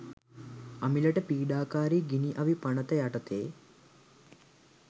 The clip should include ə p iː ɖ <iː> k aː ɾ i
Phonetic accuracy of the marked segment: incorrect: aː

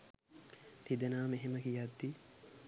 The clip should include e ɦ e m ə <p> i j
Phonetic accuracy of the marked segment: incorrect: k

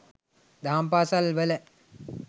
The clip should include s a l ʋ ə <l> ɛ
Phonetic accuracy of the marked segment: correct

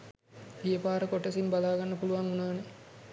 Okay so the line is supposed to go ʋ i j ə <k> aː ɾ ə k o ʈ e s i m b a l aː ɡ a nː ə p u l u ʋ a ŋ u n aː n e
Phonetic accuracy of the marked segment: incorrect: p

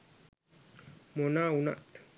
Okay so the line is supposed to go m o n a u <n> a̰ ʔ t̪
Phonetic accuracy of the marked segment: correct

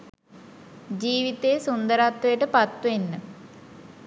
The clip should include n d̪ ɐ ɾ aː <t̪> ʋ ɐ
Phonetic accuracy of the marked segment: correct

